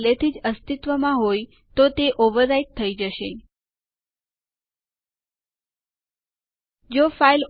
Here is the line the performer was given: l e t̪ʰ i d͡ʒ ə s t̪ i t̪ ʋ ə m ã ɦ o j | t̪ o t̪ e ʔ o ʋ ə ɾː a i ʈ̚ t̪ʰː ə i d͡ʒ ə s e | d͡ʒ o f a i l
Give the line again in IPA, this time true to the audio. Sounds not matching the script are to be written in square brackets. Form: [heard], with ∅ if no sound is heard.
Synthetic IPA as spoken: l e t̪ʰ i d͡ʒ ə s t̪ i t̪ ʋ ə m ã ɦ o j | t̪ o t̪ e ʔ o ʋ ə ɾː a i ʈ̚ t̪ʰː ə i d͡ʒ ə [ʃ] e | d͡ʒ o f a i l